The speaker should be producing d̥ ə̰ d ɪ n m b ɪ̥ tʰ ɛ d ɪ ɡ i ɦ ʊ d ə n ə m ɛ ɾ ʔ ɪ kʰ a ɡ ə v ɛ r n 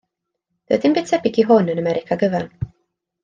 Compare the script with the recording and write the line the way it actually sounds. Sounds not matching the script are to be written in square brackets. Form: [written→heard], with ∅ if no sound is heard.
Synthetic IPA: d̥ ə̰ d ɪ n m b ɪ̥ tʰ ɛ [d→b] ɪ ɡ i ɦ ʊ [d→n] ə n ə m ɛ ɾ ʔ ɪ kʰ a ɡ ə v ɛ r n